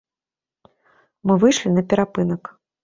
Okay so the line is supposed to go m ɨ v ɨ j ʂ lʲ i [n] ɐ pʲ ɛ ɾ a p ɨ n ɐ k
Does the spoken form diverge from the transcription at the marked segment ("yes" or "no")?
no